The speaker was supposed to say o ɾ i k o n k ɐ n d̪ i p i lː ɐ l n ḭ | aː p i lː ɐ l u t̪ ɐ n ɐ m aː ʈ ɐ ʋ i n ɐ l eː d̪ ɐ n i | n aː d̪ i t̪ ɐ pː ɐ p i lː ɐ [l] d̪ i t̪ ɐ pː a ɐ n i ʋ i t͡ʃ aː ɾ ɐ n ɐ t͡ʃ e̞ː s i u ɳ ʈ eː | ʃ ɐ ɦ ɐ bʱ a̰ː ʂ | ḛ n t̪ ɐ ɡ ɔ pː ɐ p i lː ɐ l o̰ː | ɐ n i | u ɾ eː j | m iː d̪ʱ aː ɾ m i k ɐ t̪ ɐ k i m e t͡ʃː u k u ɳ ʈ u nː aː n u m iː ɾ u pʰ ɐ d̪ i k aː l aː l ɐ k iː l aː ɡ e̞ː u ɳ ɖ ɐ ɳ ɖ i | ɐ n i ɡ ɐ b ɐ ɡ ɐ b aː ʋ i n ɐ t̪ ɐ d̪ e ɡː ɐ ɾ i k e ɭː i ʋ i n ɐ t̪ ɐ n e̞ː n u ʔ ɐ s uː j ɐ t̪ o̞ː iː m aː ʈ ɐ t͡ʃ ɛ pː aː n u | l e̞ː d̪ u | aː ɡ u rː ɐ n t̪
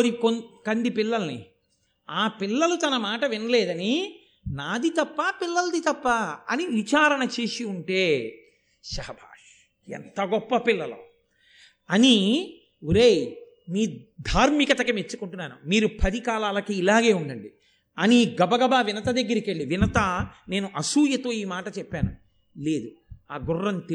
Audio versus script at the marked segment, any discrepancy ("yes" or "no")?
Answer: no